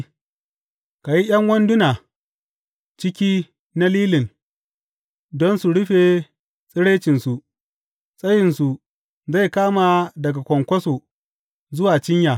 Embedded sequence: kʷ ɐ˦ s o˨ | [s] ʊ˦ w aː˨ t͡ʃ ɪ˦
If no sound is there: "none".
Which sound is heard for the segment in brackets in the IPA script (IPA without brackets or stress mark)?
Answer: z